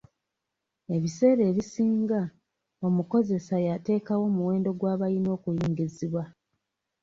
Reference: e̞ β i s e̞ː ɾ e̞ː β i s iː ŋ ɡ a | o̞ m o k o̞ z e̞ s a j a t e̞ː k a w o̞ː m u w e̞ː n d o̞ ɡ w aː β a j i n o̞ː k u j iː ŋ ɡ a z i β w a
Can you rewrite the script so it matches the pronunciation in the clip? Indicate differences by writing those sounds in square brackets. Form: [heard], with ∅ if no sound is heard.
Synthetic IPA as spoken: e̞ β i s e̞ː ɾ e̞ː β i s iː ŋ ɡ a | o̞ m [u] k o̞ z e̞ s a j a t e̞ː k a w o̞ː m u w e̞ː n d o̞ ɡ w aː β a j i n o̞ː k u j iː ŋ ɡ [i] z i β w a